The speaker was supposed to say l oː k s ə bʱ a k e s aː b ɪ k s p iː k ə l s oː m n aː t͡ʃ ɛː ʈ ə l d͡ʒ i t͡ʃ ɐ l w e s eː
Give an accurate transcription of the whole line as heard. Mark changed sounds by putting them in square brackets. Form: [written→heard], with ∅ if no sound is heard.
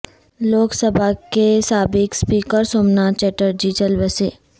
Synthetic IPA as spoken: l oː k s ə bʱ a k e s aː b ɪ k s p iː k ə [l→ɾ] s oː m n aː t͡ʃ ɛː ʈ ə [l→ɾ] d͡ʒ i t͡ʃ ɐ l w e s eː